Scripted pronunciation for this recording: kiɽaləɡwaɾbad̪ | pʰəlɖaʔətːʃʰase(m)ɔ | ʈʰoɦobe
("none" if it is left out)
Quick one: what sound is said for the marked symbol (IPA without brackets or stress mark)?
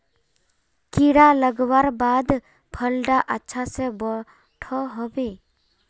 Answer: b